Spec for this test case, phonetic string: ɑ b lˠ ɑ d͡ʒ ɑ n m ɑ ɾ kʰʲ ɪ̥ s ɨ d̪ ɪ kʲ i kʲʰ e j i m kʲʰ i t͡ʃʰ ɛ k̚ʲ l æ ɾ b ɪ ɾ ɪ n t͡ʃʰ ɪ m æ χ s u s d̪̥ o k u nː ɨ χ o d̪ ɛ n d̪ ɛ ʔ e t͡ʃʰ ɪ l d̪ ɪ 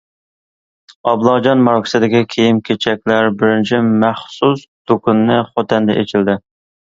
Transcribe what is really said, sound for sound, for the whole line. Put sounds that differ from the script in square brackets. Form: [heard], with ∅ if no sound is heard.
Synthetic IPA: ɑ b lˠ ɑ d͡ʒ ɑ n m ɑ ɾ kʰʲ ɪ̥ s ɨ d̪ ɪ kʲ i kʲʰ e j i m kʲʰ [e] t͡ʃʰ ɛ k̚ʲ l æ ɾ b ɪ ɾ ɪ n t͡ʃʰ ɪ m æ χ s u s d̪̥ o k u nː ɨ χ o [t̪] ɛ n d̪ ɛ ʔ e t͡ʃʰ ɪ l d̪ ɪ